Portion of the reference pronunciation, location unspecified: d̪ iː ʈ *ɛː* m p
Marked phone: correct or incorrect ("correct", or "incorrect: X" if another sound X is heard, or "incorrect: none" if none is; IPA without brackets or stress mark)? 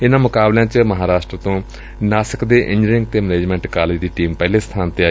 incorrect: iː